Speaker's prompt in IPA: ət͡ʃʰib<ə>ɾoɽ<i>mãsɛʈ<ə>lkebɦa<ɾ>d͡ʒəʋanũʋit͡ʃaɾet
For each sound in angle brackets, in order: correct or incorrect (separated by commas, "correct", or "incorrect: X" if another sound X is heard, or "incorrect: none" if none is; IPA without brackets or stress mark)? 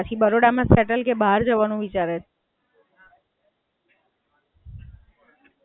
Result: correct, incorrect: a, correct, correct